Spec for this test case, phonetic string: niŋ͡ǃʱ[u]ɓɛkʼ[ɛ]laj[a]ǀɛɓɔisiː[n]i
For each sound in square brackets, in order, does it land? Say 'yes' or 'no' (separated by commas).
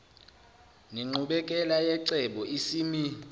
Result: yes, yes, no, no